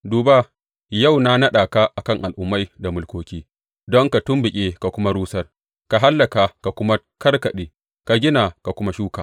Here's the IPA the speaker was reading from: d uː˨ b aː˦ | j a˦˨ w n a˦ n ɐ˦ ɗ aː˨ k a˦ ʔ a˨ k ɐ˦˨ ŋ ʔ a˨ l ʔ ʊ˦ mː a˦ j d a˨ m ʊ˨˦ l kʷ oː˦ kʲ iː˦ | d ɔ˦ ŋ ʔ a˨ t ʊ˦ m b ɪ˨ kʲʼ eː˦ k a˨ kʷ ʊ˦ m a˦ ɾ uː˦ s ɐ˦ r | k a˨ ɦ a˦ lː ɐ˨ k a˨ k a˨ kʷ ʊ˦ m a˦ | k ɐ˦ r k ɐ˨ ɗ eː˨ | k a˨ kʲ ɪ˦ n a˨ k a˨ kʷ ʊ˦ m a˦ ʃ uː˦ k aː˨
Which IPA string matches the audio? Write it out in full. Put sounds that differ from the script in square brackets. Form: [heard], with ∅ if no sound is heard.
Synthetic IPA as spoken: d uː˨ b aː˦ | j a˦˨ w n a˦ n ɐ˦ ɗ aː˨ k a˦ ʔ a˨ k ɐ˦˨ ŋ ʔ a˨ l ʔ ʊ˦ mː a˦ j d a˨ m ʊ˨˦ l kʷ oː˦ kʲ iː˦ | d ɔ˦ ŋ [k] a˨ t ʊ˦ m b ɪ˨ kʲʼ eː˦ k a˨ kʷ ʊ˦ m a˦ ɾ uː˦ s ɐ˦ r | k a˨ ɦ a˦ lː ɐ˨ k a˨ k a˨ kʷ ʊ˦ m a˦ | k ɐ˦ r k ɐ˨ ɗ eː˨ | k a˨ [ɡʲ] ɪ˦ n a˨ k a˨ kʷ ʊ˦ m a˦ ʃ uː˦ k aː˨